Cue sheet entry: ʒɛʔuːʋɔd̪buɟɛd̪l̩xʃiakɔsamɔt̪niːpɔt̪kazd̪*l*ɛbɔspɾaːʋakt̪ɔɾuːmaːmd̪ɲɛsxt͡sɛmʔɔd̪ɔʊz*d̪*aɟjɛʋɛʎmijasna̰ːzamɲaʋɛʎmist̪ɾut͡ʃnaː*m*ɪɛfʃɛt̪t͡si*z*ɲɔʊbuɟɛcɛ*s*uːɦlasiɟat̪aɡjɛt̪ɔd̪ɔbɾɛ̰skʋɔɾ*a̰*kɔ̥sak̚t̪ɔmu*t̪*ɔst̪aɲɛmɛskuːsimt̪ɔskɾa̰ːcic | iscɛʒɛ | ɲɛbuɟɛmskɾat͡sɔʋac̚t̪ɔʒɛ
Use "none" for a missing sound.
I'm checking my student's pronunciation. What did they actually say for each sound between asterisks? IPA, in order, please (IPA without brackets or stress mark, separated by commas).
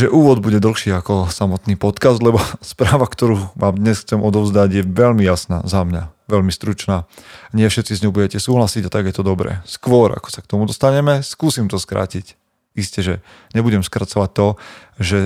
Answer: l, d̪, ɲ, z, s, a̰, d̪